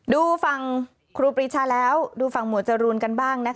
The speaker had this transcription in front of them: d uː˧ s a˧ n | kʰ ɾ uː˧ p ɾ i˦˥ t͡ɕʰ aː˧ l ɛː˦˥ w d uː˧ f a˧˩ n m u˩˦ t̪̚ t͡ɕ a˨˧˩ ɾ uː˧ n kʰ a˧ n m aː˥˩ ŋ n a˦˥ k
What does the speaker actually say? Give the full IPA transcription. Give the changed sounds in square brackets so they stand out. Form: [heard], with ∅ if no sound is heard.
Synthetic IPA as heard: d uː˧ [f] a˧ [ŋ] | kʰ ɾ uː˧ p ɾ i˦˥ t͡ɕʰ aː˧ l ɛː˦˥ w d uː˧ f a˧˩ [ŋ] m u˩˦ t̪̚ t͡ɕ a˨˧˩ ɾ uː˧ n [k] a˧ n [b] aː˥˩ ŋ n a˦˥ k